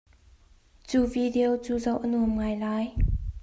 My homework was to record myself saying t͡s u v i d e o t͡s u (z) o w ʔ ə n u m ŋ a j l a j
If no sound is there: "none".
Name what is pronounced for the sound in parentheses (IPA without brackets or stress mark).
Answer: z